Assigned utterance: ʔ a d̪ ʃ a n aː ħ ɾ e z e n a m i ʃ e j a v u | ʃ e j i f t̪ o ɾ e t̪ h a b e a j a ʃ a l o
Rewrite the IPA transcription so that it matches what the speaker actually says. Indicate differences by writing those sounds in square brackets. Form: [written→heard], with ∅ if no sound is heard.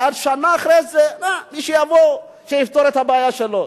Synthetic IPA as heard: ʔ a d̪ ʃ a n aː [ħ→χ] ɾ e z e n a m i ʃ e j a v [u→o] | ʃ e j i f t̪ o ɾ e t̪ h a b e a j a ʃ [a→e] l o